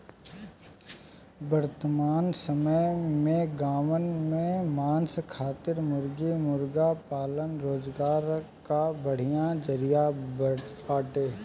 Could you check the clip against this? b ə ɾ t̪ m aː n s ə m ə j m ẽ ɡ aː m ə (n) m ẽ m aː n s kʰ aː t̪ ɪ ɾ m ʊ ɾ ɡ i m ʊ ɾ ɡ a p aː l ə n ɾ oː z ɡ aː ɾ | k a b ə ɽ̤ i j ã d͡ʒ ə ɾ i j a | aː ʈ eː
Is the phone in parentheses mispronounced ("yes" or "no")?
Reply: no